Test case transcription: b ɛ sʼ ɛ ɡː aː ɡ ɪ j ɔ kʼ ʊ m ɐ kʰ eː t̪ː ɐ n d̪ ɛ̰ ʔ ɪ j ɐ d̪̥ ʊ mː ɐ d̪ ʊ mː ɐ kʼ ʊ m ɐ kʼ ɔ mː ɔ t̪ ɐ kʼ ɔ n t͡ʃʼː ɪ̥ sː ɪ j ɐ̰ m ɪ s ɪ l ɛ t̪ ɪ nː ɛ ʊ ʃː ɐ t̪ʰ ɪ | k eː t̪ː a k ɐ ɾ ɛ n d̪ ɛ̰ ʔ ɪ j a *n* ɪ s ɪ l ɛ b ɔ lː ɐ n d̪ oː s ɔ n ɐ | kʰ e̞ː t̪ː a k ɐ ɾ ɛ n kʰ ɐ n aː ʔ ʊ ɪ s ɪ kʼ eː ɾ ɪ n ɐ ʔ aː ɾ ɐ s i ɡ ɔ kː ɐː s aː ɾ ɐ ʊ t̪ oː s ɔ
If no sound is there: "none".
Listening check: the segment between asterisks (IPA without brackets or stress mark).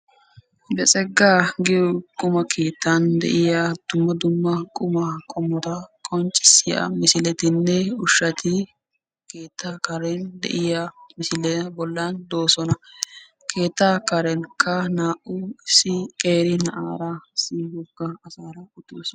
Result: m